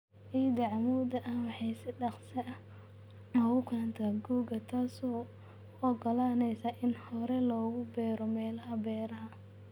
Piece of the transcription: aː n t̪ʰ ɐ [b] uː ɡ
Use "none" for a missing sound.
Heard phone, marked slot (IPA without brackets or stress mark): ɡ